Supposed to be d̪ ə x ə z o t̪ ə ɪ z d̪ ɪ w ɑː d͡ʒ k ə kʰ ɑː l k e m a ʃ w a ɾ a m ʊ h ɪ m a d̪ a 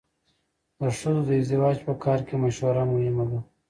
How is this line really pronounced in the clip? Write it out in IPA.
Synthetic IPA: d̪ ə ʂ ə z o d̪ ə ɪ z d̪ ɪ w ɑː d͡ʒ p ə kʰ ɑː ɾ k e m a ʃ w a ɾ a m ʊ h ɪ m a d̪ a